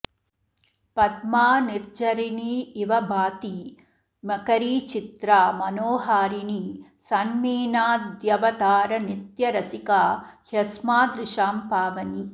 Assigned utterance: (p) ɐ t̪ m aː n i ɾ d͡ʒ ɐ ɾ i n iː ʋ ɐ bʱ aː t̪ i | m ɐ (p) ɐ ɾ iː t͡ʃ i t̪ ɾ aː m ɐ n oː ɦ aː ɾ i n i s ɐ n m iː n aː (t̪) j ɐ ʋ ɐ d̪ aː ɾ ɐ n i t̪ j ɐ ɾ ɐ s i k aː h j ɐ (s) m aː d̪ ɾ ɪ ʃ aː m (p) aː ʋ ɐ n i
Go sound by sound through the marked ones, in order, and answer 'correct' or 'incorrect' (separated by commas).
correct, incorrect, incorrect, correct, correct